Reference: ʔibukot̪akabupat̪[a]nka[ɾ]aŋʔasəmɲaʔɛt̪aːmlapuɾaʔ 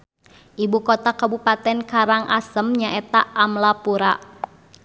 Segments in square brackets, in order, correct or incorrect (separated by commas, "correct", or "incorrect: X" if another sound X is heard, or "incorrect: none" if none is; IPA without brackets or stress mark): incorrect: ɛ, correct